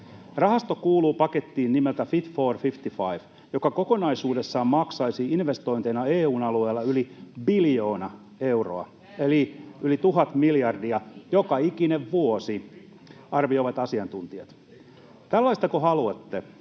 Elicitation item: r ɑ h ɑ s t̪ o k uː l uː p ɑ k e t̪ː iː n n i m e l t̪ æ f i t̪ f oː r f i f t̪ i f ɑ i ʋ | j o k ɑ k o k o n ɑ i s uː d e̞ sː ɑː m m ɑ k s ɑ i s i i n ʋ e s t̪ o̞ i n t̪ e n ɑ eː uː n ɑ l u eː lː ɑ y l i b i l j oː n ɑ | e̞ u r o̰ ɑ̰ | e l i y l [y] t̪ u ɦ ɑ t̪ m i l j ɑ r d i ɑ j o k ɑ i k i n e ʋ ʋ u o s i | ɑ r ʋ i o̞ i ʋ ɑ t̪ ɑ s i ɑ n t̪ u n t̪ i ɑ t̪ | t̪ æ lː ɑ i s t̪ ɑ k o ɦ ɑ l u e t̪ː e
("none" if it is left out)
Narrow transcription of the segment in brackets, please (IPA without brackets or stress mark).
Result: i